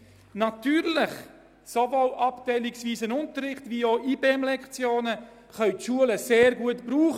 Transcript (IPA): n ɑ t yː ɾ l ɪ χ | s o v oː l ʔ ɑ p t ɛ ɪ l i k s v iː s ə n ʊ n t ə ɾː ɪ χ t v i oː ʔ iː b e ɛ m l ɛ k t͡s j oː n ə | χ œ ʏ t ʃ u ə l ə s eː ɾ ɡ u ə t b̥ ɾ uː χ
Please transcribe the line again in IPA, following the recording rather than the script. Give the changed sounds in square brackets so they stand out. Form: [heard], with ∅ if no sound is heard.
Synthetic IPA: n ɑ t yː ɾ l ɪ χ | s o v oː l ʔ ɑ p t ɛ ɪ l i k s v iː s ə n ʊ n t ə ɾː ɪ χ t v i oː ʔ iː b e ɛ m l ɛ k t͡s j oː n ə | χ œ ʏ t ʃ u ə l ə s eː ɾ ɡ u ə t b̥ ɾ uː χ